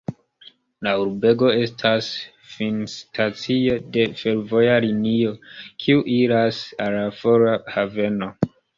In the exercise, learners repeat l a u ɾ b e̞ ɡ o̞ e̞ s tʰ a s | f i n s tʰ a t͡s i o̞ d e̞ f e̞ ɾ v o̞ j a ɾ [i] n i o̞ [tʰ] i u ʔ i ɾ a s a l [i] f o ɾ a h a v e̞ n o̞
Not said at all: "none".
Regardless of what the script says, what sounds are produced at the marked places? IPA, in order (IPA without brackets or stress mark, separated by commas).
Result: i, kʰ, a